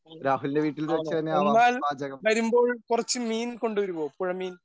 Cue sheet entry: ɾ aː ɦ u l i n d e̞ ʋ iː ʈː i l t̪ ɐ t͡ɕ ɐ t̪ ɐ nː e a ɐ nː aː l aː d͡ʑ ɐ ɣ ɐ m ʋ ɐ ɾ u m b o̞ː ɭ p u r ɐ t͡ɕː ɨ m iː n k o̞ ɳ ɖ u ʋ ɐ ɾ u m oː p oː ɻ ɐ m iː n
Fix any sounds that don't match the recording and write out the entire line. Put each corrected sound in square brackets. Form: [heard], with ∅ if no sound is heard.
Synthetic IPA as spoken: ɾ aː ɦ u l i n d e̞ ʋ iː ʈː i l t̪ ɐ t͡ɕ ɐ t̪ ɐ nː e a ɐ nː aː l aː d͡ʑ ɐ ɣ ɐ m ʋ ɐ ɾ u m b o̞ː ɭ [k] u r ɐ t͡ɕː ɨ m iː n k o̞ ɳ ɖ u ʋ ɐ ɾ u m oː p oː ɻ ɐ m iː n